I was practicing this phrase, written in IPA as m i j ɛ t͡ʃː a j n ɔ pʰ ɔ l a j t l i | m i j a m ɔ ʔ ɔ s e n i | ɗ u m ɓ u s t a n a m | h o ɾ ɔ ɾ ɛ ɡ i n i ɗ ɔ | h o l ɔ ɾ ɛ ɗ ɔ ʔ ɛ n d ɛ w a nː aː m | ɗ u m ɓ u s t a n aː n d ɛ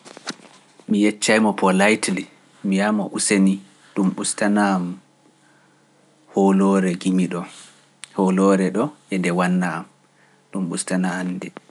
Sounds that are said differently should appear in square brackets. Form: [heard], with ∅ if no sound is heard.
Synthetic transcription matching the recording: m i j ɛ t͡ʃː a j [m] ɔ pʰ ɔ l a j t l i | m i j a m ɔ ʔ [u] s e n i | ɗ u m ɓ u s t a n a m | h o [l] ɔ ɾ ɛ ɡ i [m] i ɗ ɔ | h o l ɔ ɾ ɛ ɗ ɔ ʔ ɛ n d ɛ w a nː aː m | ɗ u m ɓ u s t a n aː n d ɛ